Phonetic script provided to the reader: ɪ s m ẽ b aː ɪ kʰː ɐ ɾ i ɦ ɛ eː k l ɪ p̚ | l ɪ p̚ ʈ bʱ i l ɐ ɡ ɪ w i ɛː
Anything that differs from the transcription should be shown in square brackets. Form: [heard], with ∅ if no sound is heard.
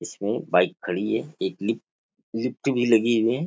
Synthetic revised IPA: ɪ s m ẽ b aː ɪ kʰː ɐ [ɽ] i ɦ ɛ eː k l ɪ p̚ | l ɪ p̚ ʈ bʱ i l ɐ ɡ [i] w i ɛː